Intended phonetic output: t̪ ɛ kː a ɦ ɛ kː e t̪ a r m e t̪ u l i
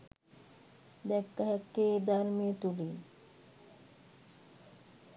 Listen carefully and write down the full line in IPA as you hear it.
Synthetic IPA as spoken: d̪ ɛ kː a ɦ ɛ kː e d̪ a ɾ m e t̪ u l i